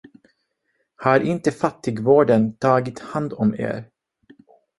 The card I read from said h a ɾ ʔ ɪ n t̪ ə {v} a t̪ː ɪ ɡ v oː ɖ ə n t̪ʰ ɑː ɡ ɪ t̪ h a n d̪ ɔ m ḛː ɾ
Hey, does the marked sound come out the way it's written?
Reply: no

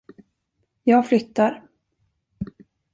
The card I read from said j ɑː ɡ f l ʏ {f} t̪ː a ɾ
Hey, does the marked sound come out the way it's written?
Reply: no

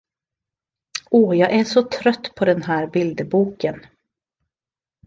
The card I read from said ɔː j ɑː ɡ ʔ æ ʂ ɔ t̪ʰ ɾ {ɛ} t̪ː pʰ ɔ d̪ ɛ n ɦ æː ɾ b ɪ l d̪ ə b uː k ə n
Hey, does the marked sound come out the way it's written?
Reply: no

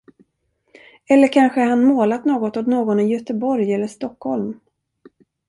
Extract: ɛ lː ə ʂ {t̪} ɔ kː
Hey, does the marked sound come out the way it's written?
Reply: yes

